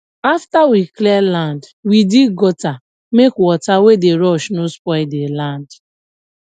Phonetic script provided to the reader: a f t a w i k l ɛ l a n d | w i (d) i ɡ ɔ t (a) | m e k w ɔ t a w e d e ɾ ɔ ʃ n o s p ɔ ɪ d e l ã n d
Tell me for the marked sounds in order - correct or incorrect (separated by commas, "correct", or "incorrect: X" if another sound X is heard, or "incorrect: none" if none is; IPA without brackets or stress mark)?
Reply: correct, correct